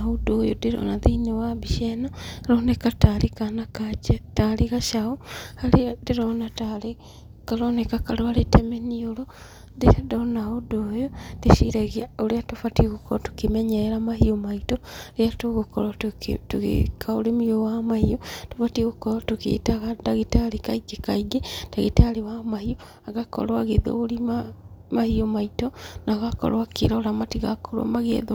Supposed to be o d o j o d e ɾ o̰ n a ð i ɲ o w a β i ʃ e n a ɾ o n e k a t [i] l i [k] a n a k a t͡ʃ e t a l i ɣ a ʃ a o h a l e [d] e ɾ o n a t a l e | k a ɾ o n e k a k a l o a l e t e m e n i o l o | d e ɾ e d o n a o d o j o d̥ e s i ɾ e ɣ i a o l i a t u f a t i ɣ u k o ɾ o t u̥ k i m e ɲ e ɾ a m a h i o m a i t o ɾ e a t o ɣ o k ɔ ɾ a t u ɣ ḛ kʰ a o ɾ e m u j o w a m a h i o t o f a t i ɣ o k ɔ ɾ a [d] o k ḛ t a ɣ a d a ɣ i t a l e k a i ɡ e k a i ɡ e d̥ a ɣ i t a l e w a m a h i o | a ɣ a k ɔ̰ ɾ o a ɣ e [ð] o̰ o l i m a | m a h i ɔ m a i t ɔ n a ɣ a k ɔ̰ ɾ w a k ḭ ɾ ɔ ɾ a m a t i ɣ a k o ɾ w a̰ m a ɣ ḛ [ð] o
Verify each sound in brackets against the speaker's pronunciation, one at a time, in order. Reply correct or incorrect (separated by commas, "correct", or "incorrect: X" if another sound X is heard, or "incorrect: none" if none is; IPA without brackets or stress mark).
incorrect: a, correct, correct, incorrect: t, correct, correct